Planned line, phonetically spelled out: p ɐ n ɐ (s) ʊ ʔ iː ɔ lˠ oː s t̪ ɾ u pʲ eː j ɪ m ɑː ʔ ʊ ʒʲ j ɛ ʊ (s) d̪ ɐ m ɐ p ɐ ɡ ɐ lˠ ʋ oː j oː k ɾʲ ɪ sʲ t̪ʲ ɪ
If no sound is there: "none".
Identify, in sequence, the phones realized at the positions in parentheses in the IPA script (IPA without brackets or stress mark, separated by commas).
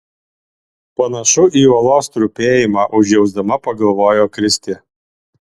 ʃ, z